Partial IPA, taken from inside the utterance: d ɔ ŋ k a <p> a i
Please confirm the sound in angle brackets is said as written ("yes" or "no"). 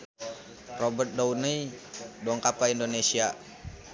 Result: yes